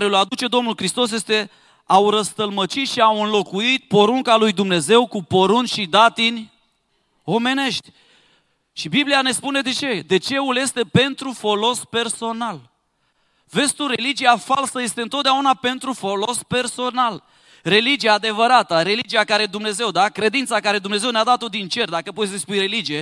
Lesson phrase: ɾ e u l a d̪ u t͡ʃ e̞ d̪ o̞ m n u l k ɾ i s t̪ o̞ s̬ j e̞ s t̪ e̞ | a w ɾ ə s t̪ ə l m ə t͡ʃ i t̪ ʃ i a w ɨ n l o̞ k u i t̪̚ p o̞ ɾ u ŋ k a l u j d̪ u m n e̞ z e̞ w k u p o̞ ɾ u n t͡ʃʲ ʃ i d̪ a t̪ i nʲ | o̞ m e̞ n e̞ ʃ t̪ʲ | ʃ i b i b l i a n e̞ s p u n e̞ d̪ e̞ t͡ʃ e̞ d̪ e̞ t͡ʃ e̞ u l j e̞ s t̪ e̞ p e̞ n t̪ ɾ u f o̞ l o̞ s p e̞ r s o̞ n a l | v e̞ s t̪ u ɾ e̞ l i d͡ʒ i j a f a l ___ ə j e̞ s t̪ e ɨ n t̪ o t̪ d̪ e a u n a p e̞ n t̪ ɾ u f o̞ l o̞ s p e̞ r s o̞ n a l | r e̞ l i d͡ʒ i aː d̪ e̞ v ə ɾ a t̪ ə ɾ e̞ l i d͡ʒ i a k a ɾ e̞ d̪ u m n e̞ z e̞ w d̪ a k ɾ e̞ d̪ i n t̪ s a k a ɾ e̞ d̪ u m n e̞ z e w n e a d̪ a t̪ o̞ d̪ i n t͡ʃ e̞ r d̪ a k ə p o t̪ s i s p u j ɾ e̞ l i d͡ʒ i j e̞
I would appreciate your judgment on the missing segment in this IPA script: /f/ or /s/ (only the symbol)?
s